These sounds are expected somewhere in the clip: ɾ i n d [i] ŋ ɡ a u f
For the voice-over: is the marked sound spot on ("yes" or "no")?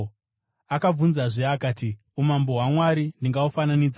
yes